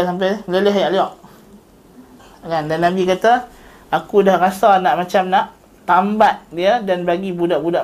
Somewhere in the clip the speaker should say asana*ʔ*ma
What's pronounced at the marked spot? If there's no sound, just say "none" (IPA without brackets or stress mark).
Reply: ʔ